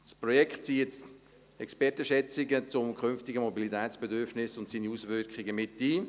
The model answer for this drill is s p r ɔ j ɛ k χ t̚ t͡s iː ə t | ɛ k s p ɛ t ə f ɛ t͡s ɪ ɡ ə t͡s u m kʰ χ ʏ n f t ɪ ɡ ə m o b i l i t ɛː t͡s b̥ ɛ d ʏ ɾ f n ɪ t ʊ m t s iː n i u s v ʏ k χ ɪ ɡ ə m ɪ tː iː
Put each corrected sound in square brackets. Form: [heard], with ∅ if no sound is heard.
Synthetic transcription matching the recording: s p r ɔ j ɛ k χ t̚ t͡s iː ə t | ɛ k s p ɛ t ə [ʃ] ɛ t͡s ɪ ɡ ə t͡s [ʊ] m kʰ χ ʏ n f t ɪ ɡ ə m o b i l i t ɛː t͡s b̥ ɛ d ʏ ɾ f n ɪ [s] ʊ [n] t s iː n i u s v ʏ k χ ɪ ɡ ə m ɪ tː iː